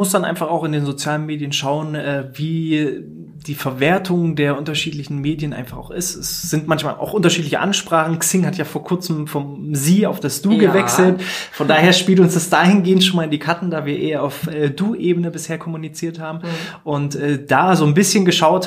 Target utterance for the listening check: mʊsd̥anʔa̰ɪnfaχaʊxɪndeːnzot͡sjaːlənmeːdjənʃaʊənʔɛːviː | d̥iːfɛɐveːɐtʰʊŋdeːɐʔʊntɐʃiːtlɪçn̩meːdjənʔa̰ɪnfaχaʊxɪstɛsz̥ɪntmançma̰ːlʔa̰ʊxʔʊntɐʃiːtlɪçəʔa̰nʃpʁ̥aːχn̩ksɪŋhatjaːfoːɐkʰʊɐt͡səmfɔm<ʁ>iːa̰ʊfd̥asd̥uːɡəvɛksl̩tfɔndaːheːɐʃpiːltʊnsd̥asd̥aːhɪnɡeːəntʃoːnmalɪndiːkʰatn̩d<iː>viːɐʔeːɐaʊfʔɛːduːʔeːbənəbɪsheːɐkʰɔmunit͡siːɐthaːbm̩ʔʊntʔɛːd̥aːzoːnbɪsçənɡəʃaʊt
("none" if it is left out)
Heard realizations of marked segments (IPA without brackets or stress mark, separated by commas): z, aː